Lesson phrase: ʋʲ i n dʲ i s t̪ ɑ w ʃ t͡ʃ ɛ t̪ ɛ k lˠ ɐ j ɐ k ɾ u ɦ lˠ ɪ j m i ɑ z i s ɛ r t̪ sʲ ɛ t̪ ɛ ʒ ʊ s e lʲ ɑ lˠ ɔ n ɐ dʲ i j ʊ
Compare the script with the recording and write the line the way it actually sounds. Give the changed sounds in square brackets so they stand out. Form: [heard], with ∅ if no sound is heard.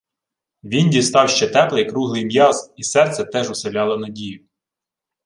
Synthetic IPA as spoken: ʋʲ i n dʲ i s t̪ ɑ w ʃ t͡ʃ ɛ t̪ ɛ [p] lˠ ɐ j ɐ k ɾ u ɦ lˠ ɪ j m [j] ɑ z i s ɛ r t̪ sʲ ɛ t̪ ɛ ʒ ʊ s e lʲ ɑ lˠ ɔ n ɐ dʲ i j ʊ